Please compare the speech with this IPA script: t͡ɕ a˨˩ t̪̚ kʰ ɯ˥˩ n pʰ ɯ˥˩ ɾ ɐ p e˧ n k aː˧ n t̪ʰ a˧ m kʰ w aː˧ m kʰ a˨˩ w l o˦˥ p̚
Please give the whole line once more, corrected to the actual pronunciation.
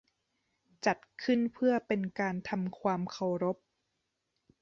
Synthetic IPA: t͡ɕ a˨˩ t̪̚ kʰ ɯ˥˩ n pʰ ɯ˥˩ ɐ p e˧ n k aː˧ n t̪ʰ a˧ m kʰ w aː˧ m kʰ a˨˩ w ɾ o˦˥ p̚